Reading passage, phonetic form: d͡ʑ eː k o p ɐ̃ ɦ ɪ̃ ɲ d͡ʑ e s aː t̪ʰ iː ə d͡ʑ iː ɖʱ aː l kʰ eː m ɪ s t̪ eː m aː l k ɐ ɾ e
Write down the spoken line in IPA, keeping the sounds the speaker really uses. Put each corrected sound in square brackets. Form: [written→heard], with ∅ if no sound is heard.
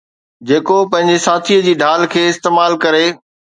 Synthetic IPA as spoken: d͡ʑ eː k o p ɐ̃ ɦ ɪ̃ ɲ d͡ʑ e s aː t̪ʰ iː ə d͡ʑ iː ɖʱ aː l kʰ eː [m→∅] ɪ s t̪ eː m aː l k ɐ ɾ e